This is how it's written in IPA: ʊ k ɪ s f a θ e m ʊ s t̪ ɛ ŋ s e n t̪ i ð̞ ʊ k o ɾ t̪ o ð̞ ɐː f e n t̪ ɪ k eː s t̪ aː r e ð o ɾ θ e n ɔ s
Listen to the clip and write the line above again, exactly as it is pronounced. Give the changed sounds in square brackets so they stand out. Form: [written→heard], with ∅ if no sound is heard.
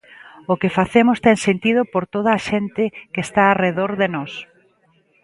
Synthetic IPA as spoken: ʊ k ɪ [s→∅] f a θ e m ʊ s t̪ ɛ ŋ s e n t̪ i ð̞ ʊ [k→p] o ɾ t̪ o ð̞ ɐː [f→ʃ] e n t̪ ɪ k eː s t̪ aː r e ð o ɾ [θ→ð] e n ɔ s